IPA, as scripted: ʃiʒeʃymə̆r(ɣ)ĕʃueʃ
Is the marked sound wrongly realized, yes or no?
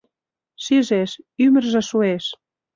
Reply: yes